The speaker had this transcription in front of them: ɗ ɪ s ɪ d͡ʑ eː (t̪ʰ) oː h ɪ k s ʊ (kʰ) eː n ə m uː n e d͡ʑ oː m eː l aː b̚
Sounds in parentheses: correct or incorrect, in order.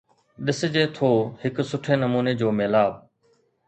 correct, incorrect

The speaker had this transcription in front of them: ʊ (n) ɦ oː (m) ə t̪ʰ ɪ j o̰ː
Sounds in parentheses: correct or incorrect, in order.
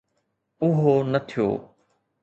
incorrect, incorrect

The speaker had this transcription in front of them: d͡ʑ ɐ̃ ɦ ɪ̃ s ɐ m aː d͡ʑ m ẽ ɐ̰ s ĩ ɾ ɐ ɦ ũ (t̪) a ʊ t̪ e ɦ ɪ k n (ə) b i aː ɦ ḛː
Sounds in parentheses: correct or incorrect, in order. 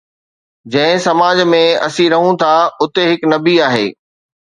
incorrect, incorrect

